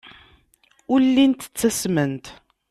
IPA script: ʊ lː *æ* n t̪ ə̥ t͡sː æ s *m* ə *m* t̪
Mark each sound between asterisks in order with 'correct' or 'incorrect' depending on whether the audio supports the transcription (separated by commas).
incorrect, correct, incorrect